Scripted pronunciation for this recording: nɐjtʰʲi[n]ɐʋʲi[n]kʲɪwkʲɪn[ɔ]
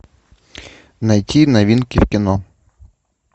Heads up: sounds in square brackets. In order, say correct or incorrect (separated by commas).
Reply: correct, correct, correct